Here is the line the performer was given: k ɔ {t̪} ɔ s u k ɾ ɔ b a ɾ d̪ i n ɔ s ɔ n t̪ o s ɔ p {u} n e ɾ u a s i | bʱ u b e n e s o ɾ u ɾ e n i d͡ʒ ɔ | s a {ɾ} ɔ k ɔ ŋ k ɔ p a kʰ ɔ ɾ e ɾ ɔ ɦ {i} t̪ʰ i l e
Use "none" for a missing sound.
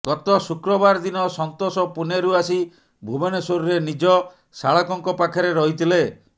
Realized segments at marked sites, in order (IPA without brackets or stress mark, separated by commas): t̪, u, ɭ, i